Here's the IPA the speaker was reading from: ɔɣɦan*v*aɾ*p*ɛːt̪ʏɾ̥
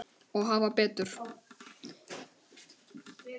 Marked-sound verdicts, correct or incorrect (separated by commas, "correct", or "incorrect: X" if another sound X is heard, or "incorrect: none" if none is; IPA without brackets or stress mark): correct, correct